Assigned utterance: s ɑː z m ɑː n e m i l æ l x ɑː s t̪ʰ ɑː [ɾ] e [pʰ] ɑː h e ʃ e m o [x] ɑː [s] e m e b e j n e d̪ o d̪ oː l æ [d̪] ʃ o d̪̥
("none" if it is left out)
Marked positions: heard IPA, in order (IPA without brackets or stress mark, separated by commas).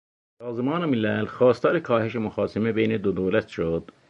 ɾ, kʰ, x, s, t̪